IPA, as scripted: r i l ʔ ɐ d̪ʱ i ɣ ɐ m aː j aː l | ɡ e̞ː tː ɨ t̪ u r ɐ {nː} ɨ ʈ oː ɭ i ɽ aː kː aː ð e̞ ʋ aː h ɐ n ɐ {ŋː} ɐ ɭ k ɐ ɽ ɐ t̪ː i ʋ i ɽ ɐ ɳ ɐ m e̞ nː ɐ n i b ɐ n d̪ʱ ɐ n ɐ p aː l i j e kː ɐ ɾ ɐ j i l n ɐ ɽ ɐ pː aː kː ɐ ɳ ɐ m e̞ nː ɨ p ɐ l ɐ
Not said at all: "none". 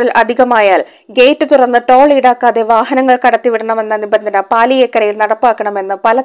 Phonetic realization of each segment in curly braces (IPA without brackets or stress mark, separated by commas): nː, ŋː